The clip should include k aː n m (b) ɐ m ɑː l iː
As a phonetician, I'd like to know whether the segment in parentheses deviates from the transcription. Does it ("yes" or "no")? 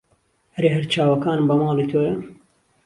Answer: no